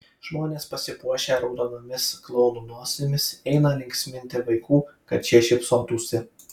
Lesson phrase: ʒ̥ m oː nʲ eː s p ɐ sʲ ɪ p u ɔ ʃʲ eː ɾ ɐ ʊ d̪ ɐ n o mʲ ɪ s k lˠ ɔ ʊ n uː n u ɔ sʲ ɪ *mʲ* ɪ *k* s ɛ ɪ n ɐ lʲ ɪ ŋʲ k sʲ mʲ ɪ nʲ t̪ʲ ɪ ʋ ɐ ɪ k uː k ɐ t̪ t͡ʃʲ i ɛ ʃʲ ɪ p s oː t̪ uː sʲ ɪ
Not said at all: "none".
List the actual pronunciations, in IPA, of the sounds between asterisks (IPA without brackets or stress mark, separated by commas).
mʲ, none